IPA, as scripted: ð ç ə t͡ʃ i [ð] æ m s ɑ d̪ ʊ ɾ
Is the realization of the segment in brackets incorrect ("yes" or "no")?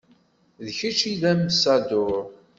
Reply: no